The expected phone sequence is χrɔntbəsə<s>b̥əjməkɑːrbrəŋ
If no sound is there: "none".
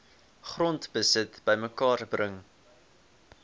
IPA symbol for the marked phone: t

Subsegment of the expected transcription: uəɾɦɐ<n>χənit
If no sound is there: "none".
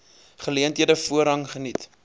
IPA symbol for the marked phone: ŋ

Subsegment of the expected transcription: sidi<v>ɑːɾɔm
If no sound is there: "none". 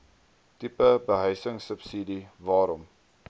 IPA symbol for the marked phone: v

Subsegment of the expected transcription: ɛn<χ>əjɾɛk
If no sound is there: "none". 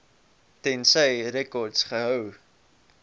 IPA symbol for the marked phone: s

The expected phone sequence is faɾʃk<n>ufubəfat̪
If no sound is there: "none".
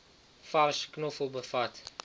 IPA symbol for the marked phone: n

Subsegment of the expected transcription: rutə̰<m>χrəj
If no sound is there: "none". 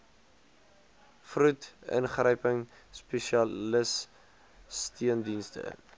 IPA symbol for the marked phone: n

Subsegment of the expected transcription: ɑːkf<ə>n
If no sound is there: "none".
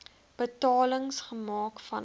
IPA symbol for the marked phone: ɐ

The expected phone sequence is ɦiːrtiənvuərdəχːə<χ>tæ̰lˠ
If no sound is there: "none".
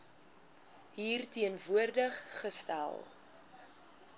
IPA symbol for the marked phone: s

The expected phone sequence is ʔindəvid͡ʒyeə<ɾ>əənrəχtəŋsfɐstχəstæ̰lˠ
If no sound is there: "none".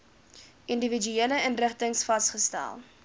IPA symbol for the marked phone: l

